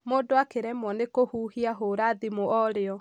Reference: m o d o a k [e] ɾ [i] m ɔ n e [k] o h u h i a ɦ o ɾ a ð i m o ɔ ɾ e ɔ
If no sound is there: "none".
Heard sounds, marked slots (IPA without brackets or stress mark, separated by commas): e, ɛ, k